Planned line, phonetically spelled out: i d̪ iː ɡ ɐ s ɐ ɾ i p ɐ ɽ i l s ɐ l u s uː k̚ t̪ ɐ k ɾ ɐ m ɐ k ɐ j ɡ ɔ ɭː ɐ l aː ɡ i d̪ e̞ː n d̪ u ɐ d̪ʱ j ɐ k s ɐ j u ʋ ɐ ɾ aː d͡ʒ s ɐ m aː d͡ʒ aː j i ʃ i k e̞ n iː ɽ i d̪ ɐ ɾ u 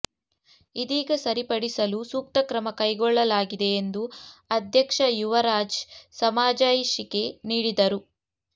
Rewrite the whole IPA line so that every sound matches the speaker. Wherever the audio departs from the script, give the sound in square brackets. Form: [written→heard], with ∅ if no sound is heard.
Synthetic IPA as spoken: i d̪ iː ɡ ɐ s ɐ ɾ i p ɐ ɽ i [l→∅] s ɐ l u s uː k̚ t̪ ɐ k ɾ ɐ m ɐ k ɐ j ɡ ɔ ɭː ɐ l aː ɡ i d̪ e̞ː n d̪ u ɐ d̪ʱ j ɐ k [s→ʂ] ɐ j u ʋ ɐ ɾ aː d͡ʒ s ɐ m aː d͡ʒ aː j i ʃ i k e̞ n iː ɽ i d̪ ɐ ɾ u